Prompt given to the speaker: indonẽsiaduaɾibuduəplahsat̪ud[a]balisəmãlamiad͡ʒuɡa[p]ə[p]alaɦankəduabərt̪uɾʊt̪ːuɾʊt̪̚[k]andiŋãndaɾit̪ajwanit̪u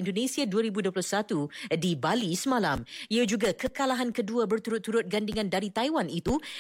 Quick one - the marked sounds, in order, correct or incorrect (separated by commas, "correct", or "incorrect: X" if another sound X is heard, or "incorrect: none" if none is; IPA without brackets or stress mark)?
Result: incorrect: i, incorrect: k, incorrect: k, incorrect: ɡ